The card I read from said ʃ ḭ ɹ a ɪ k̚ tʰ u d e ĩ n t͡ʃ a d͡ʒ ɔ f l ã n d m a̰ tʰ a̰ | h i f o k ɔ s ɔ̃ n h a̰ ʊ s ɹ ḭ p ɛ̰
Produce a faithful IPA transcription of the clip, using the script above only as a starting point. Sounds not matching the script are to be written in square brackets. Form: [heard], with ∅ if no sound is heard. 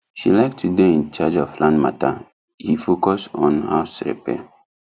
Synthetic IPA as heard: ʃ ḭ [l] a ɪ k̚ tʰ u d e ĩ n t͡ʃ a d͡ʒ ɔ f l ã n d m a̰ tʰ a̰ | h i f o k ɔ s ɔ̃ n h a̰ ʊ s ɹ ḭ p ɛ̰